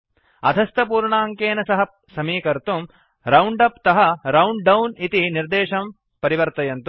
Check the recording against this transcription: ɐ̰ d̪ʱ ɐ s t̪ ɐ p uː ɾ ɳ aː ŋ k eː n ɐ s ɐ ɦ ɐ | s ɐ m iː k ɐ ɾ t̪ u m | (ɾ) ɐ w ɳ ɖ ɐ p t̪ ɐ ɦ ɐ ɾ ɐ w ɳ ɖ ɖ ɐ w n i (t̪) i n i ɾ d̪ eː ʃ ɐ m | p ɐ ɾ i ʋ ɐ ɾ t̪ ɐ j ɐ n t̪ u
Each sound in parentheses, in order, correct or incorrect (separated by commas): correct, correct